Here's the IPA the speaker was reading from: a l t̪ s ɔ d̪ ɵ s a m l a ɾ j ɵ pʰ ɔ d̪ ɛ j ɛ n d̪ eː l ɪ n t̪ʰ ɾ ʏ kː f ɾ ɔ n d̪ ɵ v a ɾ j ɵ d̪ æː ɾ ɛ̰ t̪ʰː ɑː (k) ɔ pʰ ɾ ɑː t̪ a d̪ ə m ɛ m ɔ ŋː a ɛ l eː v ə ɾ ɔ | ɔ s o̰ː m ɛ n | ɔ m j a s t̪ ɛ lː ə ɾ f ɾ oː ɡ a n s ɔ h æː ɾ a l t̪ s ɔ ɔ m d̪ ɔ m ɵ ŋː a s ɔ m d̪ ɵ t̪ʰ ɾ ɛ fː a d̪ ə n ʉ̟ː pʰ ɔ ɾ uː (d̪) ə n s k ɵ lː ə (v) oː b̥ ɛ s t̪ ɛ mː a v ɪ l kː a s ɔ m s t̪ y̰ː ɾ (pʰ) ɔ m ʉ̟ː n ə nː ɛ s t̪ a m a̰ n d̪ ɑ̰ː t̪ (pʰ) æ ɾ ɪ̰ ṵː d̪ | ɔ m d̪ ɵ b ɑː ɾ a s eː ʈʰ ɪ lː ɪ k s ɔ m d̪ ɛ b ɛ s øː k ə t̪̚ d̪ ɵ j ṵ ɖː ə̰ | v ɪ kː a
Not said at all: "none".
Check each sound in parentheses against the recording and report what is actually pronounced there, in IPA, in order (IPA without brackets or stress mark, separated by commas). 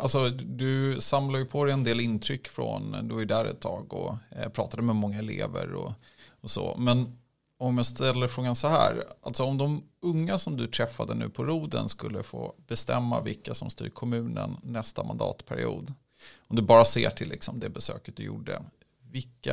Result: ɡ, d̪, f, kʰ, pʰ